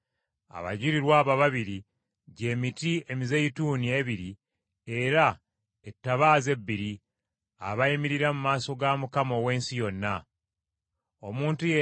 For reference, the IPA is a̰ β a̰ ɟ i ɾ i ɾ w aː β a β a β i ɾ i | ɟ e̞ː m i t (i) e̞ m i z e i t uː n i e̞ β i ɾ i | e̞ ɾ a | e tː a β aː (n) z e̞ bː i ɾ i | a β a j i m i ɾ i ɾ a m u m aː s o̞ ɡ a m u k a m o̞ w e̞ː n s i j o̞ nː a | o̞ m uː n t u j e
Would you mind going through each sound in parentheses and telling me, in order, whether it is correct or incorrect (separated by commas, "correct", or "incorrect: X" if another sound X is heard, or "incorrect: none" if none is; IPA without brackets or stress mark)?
correct, incorrect: none